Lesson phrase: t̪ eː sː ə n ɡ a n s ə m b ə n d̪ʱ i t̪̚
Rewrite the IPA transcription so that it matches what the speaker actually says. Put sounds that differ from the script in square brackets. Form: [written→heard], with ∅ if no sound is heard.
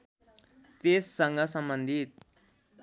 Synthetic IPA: t̪ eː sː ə [n→ŋ] ɡ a [n→∅] s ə m b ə n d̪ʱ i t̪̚